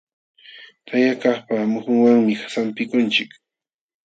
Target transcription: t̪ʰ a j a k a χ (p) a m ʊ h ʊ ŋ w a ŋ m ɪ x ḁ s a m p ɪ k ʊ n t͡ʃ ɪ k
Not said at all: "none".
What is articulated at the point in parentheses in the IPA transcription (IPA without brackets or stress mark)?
p